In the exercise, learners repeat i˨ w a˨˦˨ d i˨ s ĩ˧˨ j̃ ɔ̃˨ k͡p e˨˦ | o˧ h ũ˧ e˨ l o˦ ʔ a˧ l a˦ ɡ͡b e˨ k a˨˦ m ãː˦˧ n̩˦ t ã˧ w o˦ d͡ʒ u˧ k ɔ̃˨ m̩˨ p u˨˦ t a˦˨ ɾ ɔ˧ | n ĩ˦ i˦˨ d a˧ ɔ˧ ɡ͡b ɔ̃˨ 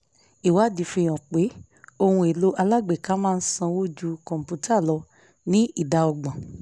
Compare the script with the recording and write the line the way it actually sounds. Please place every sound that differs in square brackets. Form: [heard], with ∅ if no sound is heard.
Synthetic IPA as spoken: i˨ w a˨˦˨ d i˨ [f] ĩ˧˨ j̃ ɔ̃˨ k͡p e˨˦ | o˧ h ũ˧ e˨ l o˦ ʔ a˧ l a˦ ɡ͡b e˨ k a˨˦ m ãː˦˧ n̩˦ [s] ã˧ w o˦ d͡ʒ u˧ k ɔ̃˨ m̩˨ p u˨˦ t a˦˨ [l] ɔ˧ | n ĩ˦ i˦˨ d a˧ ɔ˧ ɡ͡b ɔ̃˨